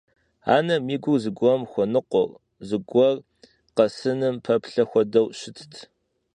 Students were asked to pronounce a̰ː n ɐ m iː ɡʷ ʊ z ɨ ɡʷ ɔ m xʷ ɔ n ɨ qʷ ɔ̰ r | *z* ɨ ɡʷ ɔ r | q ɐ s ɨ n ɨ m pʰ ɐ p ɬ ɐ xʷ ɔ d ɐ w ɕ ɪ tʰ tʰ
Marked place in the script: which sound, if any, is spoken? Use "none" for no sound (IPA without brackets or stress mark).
z